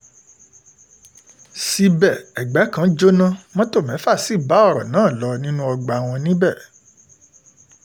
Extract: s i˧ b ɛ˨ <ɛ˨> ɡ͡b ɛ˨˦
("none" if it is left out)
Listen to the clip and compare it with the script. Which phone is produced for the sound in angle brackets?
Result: ɛ˨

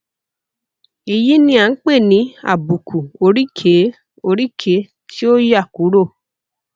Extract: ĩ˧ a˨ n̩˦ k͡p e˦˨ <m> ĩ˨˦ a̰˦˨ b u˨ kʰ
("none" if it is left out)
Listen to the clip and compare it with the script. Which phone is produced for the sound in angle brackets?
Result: n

